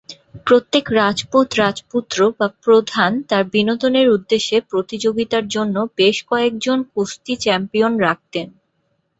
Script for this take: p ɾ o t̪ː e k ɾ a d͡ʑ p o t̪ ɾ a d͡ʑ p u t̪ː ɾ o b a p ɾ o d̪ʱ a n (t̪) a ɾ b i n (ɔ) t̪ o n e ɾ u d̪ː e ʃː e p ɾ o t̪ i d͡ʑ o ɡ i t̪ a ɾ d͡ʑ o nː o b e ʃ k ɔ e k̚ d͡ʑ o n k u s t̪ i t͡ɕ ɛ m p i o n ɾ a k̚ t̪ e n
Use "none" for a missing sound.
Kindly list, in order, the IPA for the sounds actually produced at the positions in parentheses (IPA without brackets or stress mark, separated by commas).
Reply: t̪, o